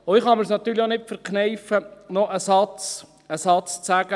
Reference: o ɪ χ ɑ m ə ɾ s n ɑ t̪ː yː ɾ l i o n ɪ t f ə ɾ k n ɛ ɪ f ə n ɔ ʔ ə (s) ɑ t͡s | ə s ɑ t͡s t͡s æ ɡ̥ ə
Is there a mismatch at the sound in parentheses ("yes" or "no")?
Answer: no